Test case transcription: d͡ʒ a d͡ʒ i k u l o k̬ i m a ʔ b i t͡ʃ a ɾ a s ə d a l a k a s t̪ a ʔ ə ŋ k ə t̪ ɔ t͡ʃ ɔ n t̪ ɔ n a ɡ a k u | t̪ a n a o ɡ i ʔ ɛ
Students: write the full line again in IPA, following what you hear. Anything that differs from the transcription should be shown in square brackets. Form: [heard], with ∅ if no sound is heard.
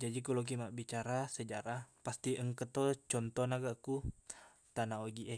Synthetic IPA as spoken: d͡ʒ a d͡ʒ i k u l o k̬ i m a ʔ b i t͡ʃ a ɾ a s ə [d͡ʒ] a [ɾ] a [p] a s t̪ [i] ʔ ə ŋ k ə t̪ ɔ t͡ʃ ɔ n t̪ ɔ n a ɡ a k u | t̪ a n a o ɡ i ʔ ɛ